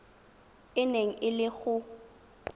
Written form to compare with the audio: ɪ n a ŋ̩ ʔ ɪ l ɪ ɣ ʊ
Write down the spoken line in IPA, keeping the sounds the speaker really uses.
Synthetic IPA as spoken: ɪ n e ŋ̩ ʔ ɪ l ɪ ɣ ʊ